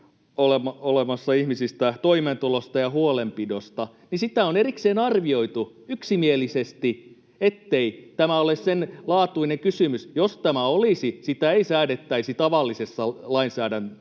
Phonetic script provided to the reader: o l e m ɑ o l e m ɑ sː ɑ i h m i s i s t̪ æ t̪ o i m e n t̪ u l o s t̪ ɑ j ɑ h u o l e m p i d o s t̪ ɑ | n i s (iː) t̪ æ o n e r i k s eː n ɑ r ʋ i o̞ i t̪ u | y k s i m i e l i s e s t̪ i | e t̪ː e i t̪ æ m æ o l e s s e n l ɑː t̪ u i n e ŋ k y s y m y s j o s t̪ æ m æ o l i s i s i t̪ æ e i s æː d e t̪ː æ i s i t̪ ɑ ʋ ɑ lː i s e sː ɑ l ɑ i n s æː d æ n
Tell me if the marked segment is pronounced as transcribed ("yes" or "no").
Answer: no